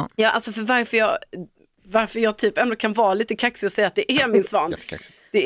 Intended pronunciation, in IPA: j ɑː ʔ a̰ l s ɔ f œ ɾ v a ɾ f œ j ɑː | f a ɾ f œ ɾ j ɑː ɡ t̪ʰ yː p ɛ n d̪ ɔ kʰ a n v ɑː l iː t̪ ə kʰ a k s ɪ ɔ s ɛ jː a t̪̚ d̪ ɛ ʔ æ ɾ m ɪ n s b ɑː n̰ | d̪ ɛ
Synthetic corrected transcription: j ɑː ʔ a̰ l s ɔ f œ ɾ v a ɾ f œ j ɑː | v a ɾ f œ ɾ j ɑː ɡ t̪ʰ yː p ɛ n d̪ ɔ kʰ a n v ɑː l iː t̪ ə kʰ a k s ɪ ɔ s ɛ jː a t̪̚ d̪ ɛ ʔ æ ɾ m ɪ n s v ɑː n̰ | d̪ ɛ